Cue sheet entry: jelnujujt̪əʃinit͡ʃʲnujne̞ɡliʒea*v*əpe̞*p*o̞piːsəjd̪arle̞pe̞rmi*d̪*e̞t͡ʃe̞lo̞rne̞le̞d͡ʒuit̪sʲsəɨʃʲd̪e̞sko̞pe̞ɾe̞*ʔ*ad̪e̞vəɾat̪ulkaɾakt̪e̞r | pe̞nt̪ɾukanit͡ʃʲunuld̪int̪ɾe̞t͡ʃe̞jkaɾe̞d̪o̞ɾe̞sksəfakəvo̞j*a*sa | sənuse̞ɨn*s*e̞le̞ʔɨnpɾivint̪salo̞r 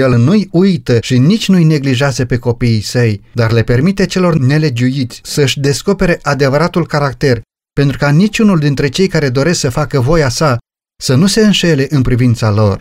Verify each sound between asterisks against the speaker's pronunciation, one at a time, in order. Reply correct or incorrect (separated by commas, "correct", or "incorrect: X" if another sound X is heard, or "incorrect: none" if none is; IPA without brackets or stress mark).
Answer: incorrect: z, incorrect: k, incorrect: t̪, correct, correct, incorrect: ʃ